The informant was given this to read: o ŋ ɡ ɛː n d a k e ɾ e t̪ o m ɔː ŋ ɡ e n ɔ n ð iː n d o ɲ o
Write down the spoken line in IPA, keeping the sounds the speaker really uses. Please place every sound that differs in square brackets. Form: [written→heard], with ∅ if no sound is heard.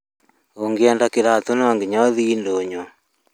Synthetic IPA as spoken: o ŋ ɡ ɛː n d a k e ɾ [e→a] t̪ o [m→n] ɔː ŋ ɡ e [n→ɲ] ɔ [n→∅] ð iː n d o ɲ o